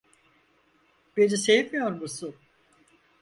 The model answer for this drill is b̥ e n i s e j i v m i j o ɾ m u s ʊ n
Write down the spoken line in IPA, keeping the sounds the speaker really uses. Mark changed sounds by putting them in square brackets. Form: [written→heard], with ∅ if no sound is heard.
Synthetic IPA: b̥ e n i s e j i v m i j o ɾ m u s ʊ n